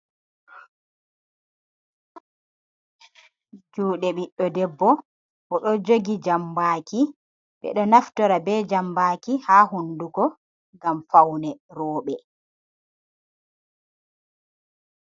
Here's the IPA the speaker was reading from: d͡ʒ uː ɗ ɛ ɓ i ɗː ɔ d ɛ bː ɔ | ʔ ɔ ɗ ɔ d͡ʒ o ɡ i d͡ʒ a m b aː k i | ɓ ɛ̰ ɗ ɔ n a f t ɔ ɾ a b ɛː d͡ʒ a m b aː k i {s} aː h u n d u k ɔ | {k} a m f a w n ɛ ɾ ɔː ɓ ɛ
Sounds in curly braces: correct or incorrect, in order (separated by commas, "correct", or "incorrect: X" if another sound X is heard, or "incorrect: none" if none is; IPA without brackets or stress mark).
incorrect: h, incorrect: ɡ